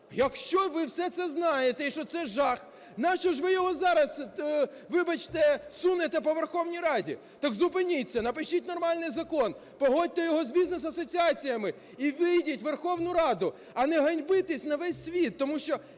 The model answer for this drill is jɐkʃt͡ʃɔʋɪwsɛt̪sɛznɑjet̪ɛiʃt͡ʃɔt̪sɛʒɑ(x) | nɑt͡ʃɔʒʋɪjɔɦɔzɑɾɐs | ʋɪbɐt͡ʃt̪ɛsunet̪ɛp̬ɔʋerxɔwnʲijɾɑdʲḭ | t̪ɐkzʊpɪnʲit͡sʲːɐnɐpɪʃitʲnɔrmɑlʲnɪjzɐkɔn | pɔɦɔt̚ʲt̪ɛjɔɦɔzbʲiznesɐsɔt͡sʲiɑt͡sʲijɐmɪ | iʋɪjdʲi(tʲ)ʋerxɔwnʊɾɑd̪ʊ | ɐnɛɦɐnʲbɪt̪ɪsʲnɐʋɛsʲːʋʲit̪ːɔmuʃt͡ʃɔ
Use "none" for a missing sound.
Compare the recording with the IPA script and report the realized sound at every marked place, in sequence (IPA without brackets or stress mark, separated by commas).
x, tʲ